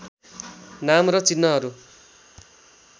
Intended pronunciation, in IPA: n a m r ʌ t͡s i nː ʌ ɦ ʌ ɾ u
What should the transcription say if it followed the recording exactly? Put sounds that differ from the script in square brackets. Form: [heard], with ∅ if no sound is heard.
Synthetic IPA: n a m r ʌ t͡s i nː ʌ ɦ ʌ ɾ u